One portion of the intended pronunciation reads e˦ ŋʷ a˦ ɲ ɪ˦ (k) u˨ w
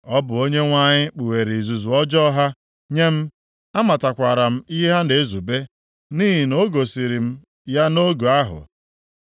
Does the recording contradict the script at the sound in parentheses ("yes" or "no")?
yes